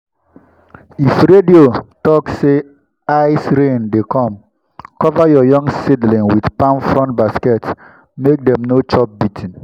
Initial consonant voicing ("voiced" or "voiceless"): voiceless